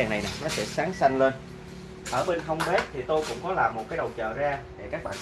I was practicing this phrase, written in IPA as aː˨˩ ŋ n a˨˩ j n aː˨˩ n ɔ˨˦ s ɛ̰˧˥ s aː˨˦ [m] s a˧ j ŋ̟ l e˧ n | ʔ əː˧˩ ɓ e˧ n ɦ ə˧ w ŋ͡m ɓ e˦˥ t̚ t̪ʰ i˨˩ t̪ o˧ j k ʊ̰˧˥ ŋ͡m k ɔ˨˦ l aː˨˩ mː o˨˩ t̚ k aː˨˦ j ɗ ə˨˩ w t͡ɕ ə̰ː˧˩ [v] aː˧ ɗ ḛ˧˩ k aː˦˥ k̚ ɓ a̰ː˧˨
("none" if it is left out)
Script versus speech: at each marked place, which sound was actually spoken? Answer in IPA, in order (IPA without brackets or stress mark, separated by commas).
ŋ, z